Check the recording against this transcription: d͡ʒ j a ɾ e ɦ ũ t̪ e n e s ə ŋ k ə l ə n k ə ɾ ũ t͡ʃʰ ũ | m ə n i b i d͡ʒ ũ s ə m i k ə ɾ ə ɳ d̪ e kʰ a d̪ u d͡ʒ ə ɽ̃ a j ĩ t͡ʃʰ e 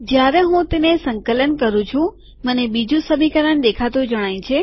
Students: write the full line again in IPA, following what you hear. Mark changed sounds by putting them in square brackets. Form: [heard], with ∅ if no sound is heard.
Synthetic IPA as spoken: d͡ʒ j a ɾ e ɦ ũ t̪ e n e s ə ŋ k ə l ə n k ə ɾ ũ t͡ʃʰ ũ | m ə n [e] b i d͡ʒ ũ s ə m i k ə ɾ ə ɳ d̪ e kʰ a [t̪] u d͡ʒ ə ɽ̃ a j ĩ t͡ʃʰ e